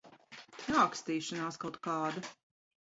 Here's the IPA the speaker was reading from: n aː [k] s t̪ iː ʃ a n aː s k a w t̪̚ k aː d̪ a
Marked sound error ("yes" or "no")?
no